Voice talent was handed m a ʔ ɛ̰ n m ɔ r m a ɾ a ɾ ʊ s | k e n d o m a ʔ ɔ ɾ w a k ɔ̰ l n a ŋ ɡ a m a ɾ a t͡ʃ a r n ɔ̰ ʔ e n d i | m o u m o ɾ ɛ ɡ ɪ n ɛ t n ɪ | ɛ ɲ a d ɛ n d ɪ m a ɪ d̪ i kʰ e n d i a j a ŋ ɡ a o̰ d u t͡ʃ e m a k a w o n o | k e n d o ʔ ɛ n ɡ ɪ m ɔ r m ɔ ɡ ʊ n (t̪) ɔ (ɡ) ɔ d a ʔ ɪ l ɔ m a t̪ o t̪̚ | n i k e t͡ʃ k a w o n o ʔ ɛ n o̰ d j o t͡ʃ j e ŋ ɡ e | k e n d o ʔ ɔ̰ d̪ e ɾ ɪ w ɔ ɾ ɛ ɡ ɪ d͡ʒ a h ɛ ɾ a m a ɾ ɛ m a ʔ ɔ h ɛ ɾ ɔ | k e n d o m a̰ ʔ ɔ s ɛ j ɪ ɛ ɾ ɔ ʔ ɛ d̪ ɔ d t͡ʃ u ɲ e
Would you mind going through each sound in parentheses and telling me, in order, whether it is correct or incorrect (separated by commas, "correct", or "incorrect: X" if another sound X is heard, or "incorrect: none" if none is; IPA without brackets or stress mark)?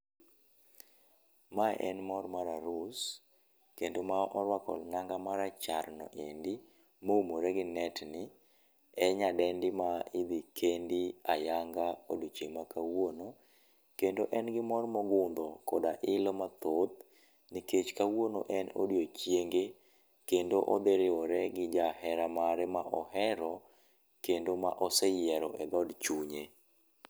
incorrect: d̪, incorrect: k